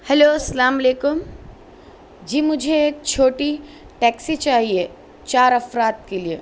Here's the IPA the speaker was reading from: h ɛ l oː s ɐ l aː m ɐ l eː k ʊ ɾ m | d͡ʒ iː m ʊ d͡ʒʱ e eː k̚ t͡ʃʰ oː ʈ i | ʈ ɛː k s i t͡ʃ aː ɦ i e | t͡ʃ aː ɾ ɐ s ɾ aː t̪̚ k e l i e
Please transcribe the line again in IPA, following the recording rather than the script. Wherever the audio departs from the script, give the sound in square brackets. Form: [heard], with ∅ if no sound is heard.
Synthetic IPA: h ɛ l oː s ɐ l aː m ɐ l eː k ʊ [∅] m | d͡ʒ iː m ʊ d͡ʒʱ e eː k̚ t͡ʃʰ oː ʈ i | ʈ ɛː k s i t͡ʃ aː ɦ i e | t͡ʃ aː ɾ ɐ [f] ɾ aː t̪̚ k e l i e